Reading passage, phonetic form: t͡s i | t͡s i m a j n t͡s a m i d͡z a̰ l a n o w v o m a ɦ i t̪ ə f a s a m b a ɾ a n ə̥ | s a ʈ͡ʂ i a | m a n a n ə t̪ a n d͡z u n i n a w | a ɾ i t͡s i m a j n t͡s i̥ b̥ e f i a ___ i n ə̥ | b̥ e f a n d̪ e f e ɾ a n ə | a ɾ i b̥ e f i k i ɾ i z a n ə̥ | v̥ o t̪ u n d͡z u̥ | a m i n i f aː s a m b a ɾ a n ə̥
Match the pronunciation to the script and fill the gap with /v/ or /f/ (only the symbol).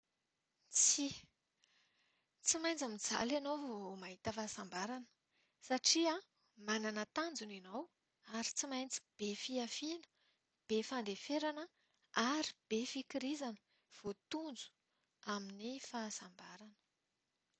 f